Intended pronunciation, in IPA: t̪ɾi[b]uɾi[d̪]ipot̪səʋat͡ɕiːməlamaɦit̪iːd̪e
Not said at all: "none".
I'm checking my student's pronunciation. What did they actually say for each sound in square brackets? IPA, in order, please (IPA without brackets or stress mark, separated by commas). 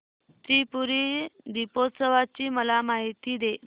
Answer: p, d̪